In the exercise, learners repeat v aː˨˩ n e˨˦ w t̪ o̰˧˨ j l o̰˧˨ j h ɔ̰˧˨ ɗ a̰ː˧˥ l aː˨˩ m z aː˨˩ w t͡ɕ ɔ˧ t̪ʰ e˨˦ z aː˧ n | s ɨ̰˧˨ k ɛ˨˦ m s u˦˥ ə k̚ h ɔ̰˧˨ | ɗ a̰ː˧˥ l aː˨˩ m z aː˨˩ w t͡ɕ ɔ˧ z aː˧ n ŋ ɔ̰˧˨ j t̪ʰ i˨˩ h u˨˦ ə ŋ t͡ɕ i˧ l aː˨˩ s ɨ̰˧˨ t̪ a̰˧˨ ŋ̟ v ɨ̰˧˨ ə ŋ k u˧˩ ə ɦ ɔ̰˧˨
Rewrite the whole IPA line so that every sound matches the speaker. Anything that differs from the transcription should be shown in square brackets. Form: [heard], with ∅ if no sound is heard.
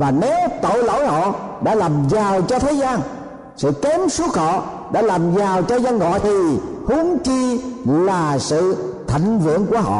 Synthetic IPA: v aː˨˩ n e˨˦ w t̪ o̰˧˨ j l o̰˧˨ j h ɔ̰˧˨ ɗ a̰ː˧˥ l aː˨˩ m z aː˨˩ w t͡ɕ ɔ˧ t̪ʰ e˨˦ z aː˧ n | s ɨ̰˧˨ k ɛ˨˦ m s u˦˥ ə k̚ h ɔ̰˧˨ | ɗ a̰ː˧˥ l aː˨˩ m z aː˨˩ w t͡ɕ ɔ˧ z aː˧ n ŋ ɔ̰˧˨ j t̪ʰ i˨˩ h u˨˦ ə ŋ t͡ɕ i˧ l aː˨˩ s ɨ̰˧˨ [t̪ʰ] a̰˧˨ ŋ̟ v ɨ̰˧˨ ə ŋ k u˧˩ ə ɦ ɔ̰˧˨